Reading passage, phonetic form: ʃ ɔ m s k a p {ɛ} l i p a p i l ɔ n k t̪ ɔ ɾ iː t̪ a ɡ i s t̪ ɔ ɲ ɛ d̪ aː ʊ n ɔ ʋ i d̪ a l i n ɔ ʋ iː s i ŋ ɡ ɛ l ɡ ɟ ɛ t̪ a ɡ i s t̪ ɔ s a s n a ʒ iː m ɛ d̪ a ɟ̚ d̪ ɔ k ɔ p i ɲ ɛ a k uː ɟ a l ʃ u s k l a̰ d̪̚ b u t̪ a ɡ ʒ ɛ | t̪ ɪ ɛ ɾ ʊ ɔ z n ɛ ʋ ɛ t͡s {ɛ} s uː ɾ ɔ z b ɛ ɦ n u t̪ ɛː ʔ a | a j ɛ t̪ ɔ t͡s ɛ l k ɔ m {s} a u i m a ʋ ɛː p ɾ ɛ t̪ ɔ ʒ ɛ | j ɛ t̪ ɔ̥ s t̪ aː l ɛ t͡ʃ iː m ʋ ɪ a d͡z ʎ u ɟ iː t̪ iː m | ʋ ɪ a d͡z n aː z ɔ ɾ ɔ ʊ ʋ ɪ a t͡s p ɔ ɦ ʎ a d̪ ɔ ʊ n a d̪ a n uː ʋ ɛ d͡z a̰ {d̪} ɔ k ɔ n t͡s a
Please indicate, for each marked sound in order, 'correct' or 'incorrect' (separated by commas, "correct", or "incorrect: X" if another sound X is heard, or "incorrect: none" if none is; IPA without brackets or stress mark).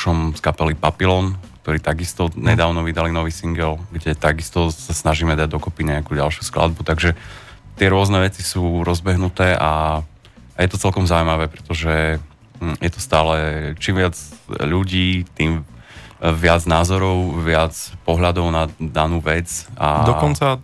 correct, incorrect: i, incorrect: z, correct